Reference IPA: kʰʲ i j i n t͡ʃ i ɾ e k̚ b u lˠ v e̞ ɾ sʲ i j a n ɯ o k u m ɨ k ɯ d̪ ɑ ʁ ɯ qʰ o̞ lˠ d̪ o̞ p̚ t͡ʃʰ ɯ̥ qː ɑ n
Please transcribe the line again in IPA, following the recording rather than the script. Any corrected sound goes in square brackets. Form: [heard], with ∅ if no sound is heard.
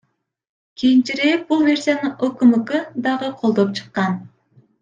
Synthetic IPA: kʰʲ i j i n t͡ʃ i ɾ e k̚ b u lˠ v e̞ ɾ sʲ i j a n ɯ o k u m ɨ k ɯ d̪ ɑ ʁ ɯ qʰ o̞ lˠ d̪ o̞ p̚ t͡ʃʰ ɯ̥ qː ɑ n